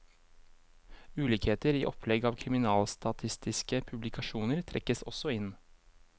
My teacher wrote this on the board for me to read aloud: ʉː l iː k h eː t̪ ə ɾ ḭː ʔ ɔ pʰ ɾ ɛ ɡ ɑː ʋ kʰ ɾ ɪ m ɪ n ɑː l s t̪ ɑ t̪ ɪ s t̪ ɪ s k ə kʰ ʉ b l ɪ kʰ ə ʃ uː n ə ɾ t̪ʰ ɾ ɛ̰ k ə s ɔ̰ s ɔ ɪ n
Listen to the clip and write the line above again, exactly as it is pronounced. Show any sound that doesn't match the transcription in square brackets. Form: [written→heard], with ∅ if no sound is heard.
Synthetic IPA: ʉː l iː k h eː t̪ ə ɾ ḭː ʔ ɔ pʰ [ɾ→l] ɛ ɡ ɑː ʋ kʰ ɾ ɪ m ɪ n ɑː l s t̪ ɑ [t̪→t̪ʰ] ɪ s t̪ ɪ s k ə [kʰ→pʰ] ʉ b l ɪ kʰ [ə→ɑ] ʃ uː n ə ɾ t̪ʰ ɾ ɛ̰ k ə s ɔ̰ s ɔ ɪ n